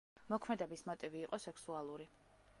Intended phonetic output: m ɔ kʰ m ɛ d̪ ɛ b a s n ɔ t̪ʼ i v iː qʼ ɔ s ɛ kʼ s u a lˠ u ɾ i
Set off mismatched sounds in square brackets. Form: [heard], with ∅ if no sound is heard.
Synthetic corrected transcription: m ɔ kʰ m ɛ d̪ ɛ b [i] s [m] ɔ t̪ʼ i v iː qʼ ɔ s ɛ [k] s u a lˠ u ɾ i